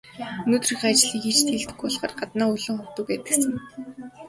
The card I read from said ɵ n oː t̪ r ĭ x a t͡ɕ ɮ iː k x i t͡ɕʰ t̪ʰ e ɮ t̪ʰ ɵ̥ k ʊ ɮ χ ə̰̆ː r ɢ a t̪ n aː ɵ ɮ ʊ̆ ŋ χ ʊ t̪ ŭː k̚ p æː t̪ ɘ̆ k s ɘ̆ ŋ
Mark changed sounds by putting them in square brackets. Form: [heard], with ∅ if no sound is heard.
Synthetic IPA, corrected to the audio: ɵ n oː t̪ r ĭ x a t͡ɕ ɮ iː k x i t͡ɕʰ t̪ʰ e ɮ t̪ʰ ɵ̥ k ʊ ɮ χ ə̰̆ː r ɢ a t̪ n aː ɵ ɮ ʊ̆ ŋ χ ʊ t̪ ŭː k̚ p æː t̪ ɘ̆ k s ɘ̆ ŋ